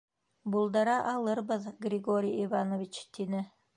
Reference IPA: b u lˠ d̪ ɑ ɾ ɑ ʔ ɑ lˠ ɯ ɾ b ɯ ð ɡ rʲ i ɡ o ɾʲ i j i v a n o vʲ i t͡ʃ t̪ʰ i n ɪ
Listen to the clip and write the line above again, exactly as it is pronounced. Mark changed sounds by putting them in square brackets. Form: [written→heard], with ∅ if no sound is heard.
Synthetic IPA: b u lˠ d̪ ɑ ɾ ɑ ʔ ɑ lˠ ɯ ɾ b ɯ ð ɡ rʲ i ɡ o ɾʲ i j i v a n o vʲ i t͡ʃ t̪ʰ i n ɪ